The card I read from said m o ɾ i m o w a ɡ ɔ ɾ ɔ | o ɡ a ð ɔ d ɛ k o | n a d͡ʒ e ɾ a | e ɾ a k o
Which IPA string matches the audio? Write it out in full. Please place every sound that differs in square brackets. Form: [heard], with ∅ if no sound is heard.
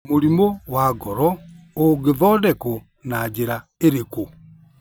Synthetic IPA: m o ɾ i m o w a ɡ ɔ ɾ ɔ | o ɡ [e] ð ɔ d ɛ k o | n a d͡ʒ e ɾ a | e ɾ [e] k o